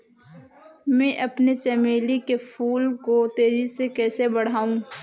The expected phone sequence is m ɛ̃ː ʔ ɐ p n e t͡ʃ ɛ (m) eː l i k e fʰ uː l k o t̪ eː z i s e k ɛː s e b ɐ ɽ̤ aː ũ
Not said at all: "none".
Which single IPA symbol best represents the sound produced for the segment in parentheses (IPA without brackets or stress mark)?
m